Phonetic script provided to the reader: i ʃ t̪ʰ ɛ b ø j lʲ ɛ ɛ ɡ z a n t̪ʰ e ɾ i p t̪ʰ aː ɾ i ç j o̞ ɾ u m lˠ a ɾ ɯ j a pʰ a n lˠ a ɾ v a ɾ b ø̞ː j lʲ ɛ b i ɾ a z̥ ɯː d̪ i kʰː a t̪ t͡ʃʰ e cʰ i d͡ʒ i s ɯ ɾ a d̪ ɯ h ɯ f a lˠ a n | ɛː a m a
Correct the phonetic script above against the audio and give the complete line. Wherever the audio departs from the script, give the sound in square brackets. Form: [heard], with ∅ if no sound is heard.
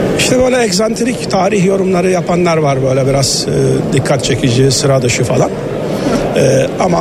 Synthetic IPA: i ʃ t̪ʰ ɛ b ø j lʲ ɛ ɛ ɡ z a n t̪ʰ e ɾ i [c] t̪ʰ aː ɾ i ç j o̞ ɾ u m lˠ a ɾ ɯ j a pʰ a n lˠ a ɾ v a ɾ b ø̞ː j lʲ ɛ b i ɾ a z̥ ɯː d̪ i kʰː a t̪ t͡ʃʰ e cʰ i d͡ʒ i s ɯ ɾ a d̪ ɯ [ʃ] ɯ f a lˠ a n | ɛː a m a